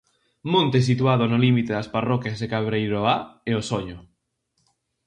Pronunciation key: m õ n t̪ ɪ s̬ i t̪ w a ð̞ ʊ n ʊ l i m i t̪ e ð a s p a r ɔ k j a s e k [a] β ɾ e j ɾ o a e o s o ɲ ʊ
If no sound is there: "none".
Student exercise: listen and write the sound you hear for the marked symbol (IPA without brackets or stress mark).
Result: a